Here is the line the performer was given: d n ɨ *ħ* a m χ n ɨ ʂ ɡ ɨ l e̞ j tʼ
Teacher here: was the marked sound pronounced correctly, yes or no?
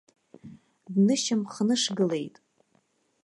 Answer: no